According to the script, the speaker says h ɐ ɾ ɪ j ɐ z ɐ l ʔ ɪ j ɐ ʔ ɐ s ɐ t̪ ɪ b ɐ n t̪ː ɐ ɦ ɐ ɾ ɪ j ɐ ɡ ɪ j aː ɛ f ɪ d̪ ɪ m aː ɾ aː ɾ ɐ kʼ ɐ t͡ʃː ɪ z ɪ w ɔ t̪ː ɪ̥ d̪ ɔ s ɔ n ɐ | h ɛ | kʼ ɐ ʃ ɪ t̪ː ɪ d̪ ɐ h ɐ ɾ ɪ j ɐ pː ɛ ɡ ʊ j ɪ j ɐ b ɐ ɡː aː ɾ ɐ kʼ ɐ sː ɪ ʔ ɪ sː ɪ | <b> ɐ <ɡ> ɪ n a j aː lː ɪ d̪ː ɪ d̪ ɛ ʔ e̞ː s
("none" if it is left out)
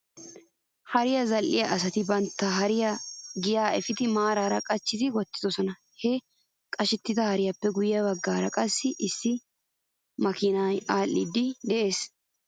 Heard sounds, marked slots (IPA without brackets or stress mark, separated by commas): m, k